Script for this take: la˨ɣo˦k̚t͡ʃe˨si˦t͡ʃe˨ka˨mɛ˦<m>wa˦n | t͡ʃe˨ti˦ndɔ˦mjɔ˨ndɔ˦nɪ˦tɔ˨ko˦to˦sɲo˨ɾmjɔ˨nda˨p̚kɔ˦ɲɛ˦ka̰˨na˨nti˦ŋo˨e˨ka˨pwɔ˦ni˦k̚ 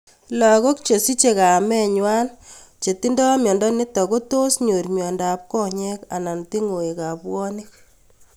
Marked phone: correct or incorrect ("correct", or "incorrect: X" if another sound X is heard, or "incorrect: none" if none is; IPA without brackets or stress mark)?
incorrect: ɲ